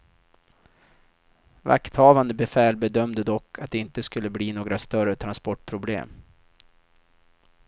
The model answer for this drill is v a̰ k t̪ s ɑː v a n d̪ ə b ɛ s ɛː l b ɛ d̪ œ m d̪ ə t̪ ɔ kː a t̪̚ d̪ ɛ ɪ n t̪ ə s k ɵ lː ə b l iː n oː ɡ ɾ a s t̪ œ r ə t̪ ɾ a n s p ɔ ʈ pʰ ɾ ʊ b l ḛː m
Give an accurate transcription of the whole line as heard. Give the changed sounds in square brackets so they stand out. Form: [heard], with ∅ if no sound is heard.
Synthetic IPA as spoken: v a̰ k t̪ [h] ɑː v a n d̪ ə b ɛ [f] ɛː l b ɛ d̪ œ m d̪ ə [d̪] ɔ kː a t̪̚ d̪ ɛ ɪ n t̪ ə s k ɵ lː ə b l iː n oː ɡ ɾ a s t̪ œ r ə [t̪ʰ] ɾ a n s p ɔ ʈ pʰ ɾ ʊ b l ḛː m